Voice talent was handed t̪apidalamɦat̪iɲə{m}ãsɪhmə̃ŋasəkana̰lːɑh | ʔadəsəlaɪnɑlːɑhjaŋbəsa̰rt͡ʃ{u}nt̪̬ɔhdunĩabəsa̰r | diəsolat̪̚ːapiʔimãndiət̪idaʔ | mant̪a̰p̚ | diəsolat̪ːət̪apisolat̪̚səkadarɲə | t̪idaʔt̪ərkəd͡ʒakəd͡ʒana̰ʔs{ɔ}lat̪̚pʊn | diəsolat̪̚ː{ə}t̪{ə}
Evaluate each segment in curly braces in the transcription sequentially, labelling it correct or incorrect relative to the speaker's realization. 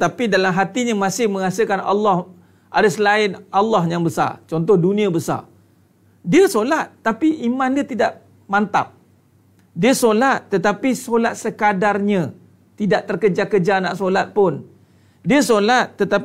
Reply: correct, incorrect, incorrect, correct, incorrect

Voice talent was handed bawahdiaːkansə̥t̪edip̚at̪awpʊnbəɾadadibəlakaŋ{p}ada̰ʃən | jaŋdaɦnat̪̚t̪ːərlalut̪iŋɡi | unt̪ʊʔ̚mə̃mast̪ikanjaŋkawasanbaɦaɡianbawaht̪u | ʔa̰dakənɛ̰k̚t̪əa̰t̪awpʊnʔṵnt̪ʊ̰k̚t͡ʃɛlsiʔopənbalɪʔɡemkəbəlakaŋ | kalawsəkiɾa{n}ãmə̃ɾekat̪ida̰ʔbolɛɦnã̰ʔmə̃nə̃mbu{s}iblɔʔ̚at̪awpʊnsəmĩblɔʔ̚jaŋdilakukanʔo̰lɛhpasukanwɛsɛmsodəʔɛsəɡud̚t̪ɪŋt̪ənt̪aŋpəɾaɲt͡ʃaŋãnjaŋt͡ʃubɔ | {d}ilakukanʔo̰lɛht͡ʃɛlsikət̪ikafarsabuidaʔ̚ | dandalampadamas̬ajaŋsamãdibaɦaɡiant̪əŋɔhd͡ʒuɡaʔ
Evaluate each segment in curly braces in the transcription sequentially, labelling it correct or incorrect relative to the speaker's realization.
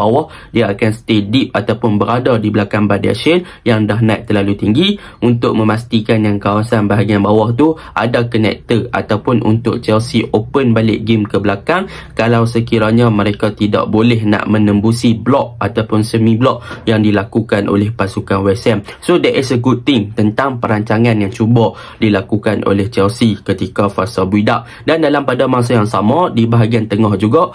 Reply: incorrect, incorrect, correct, correct

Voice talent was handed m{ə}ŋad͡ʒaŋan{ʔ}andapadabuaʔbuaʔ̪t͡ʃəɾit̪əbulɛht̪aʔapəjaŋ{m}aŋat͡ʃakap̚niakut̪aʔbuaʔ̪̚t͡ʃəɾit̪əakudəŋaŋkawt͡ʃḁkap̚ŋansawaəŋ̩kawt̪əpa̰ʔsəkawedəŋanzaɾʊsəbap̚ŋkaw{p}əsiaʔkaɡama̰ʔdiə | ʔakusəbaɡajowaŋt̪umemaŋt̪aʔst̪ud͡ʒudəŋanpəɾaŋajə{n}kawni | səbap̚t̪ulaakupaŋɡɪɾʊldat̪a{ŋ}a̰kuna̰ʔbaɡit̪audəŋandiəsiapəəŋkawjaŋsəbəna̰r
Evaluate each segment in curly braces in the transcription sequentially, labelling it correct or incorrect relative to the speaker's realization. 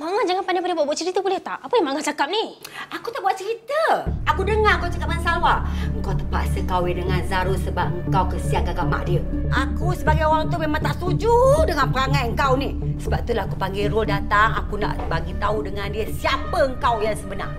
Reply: incorrect, incorrect, correct, incorrect, incorrect, correct

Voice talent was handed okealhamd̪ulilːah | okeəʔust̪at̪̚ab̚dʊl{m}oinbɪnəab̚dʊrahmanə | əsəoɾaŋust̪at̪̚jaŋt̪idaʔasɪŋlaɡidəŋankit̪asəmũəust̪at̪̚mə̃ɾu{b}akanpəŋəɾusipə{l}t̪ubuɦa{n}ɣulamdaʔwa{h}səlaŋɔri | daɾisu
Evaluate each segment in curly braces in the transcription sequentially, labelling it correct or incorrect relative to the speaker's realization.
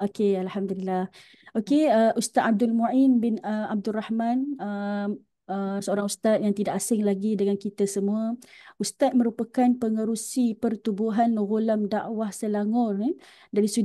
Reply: correct, incorrect, incorrect, correct, correct

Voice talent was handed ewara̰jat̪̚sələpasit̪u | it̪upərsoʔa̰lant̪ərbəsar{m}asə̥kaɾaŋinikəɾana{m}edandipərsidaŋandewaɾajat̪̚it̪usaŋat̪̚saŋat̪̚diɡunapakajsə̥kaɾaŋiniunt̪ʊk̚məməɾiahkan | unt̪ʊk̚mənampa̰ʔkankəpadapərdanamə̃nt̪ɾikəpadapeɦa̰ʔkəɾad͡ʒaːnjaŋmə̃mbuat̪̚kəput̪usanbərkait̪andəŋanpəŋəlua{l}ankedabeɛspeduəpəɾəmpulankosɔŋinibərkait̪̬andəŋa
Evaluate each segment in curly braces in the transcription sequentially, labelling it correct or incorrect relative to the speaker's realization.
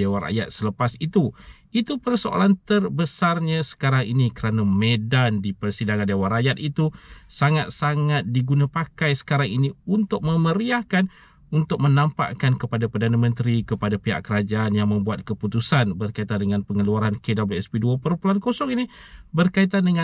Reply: incorrect, correct, incorrect

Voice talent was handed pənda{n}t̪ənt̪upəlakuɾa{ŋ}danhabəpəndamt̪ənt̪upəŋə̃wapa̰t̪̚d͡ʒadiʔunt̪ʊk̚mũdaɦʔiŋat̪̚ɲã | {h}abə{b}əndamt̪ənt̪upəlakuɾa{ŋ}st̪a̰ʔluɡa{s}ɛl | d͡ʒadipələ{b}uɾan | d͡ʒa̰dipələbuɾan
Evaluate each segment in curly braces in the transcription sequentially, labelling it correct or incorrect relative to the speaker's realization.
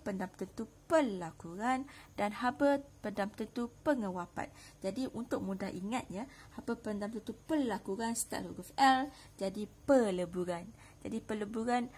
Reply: incorrect, incorrect, correct, incorrect, incorrect, incorrect, correct

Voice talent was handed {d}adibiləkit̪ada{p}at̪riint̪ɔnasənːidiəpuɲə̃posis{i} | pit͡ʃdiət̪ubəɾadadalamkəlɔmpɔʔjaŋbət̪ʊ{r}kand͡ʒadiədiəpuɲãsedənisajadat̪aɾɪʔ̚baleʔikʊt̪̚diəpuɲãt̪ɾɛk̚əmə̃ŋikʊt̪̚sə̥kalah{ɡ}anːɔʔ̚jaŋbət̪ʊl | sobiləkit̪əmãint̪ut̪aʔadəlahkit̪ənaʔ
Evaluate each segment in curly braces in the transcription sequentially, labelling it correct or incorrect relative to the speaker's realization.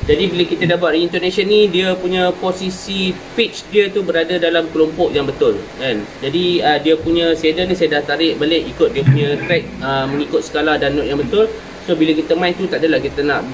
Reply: incorrect, incorrect, correct, incorrect, incorrect

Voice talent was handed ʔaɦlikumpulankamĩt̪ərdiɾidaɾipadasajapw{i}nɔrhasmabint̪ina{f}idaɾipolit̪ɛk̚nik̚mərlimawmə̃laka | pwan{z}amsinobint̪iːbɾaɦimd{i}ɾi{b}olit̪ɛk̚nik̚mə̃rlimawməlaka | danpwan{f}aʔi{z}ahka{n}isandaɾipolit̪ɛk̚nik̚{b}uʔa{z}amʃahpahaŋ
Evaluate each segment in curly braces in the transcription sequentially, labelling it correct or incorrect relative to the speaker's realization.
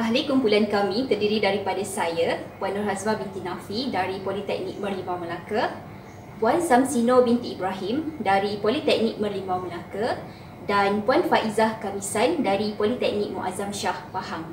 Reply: incorrect, correct, incorrect, incorrect, incorrect, correct, correct, incorrect, incorrect, correct

